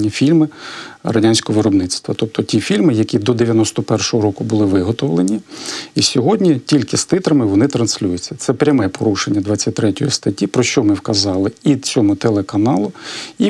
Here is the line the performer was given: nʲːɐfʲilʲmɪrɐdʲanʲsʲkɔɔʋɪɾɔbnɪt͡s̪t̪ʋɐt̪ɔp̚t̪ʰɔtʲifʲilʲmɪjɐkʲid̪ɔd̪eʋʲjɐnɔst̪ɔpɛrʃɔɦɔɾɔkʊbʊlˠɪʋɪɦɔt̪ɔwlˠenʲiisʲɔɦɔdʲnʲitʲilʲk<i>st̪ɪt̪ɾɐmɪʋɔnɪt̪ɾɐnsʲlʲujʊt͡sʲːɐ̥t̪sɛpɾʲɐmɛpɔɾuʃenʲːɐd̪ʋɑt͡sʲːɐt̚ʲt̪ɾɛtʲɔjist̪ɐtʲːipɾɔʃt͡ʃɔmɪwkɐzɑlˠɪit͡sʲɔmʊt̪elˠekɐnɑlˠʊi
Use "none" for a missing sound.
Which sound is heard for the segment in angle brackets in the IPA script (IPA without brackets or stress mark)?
ɪ